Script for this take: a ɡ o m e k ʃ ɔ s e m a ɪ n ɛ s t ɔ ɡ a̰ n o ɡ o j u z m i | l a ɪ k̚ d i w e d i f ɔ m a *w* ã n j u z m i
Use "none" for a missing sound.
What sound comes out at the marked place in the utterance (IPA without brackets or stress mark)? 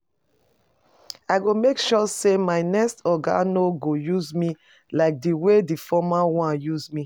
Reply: w